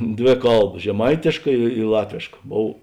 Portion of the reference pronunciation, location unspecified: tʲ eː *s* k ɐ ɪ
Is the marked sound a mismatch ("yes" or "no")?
yes